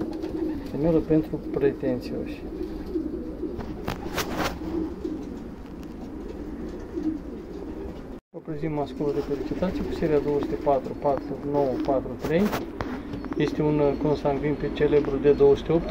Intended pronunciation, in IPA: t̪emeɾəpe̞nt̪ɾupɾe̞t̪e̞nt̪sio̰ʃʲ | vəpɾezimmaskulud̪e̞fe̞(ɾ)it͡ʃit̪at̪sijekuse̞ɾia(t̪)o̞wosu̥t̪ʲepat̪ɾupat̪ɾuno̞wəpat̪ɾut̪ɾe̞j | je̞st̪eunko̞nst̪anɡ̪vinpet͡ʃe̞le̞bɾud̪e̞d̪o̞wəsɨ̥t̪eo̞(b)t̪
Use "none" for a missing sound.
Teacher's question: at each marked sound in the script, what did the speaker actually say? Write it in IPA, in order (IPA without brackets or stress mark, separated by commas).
l, d̪, p